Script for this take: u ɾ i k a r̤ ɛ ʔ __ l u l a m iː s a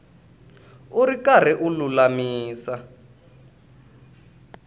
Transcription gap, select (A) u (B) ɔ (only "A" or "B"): A